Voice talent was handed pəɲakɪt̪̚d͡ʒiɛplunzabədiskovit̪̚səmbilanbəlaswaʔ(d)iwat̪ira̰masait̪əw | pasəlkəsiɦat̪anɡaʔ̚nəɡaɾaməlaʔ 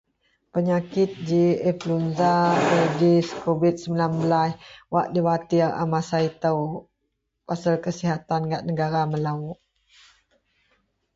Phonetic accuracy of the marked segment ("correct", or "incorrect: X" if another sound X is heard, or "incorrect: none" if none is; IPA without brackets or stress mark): correct